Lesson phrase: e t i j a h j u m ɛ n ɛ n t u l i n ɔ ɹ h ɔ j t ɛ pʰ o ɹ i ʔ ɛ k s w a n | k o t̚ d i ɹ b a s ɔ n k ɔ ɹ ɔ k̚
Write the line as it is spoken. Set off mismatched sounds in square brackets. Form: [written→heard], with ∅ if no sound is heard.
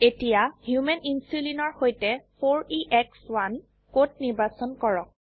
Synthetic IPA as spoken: e t i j a h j u m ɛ n [ɛ→i] n [t→s] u l i n ɔ ɹ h [ɔ→o] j t ɛ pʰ o ɹ i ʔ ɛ k s w a n | k o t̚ [d→n] i ɹ b a s ɔ n k ɔ ɹ ɔ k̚